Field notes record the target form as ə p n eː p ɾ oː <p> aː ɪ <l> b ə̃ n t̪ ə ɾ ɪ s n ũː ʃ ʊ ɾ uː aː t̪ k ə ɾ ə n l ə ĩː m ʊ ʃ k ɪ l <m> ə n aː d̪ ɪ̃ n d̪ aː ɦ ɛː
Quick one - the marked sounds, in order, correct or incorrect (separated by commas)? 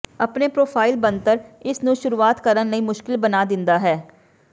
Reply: incorrect, correct, incorrect